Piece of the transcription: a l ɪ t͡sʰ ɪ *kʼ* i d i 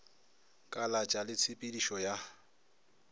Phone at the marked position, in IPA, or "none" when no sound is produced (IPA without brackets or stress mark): pʼ